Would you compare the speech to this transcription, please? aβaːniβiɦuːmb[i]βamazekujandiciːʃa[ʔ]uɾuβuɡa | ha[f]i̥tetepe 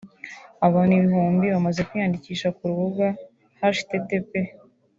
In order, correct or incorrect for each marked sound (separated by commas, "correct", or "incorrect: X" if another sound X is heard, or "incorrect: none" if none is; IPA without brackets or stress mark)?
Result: correct, incorrect: k, incorrect: ʃ